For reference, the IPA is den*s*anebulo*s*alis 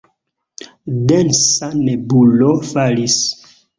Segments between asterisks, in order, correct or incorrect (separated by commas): correct, incorrect